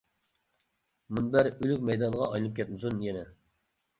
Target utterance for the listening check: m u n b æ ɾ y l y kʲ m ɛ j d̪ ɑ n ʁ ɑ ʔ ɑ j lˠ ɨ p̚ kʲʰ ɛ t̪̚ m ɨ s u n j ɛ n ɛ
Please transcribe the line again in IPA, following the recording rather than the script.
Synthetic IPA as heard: m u n b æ ɾ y l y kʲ m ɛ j d̪ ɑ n ʁ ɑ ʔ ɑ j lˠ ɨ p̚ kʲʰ ɛ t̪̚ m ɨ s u n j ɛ n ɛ